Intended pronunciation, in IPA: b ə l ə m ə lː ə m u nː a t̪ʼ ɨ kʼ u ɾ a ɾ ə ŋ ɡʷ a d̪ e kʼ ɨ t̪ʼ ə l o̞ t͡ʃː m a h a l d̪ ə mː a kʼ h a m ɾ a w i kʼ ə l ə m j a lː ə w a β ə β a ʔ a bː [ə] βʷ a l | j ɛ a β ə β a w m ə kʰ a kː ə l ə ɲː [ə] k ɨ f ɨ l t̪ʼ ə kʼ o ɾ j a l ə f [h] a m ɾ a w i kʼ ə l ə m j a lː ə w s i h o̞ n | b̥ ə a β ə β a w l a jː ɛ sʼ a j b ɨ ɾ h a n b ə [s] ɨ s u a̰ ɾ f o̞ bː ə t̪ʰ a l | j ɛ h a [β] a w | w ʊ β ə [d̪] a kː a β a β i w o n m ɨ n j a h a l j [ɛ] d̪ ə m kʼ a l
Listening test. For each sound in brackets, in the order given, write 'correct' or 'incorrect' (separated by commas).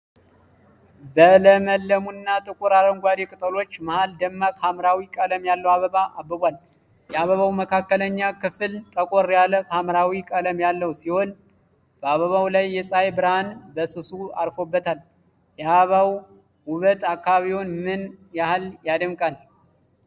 correct, incorrect, correct, correct, correct, incorrect, incorrect